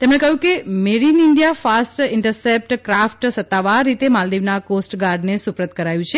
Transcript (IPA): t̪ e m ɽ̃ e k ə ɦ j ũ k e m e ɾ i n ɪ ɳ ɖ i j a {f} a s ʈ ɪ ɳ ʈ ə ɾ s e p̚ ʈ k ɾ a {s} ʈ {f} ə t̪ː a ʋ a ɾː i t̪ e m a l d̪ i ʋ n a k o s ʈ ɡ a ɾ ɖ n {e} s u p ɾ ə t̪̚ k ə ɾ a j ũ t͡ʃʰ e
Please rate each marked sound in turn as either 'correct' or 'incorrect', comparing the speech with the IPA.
correct, incorrect: f, incorrect: s, correct

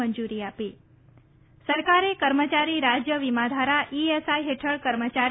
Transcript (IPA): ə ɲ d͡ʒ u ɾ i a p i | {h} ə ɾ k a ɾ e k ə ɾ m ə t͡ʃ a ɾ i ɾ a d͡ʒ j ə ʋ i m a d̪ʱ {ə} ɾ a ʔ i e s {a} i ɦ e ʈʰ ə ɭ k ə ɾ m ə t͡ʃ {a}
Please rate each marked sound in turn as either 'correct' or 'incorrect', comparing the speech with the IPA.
incorrect: s, incorrect: a, correct, correct

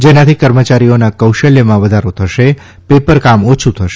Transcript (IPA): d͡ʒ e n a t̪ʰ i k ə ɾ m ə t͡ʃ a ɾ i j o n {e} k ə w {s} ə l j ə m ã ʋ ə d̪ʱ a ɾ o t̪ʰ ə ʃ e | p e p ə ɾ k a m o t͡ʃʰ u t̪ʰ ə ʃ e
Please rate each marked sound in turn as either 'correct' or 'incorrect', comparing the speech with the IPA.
incorrect: a, incorrect: ʃ

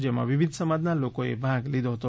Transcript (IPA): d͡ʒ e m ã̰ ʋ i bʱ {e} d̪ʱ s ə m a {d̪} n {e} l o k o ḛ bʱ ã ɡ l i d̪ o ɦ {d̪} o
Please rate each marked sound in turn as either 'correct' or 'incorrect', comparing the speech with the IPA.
incorrect: i, correct, incorrect: a, incorrect: t̪

